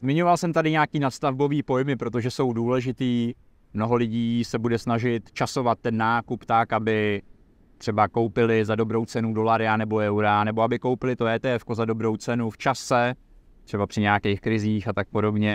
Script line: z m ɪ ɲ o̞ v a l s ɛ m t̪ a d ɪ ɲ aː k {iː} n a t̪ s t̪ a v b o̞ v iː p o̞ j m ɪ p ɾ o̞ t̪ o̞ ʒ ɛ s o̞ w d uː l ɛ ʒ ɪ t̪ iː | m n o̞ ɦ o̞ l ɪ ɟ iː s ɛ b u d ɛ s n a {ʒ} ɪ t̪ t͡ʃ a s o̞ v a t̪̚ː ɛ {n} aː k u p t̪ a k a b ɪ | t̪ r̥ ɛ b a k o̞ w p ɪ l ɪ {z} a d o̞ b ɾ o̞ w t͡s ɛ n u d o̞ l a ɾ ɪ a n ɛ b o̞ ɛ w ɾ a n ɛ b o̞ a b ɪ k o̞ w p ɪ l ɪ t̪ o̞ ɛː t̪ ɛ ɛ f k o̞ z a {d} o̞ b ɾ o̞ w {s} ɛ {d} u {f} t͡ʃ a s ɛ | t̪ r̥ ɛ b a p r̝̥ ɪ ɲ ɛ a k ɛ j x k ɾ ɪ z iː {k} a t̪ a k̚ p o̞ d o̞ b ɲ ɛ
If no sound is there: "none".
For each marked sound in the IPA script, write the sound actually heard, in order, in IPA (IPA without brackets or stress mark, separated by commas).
iː, ʒ, nː, z, d, t͡s, n, f, x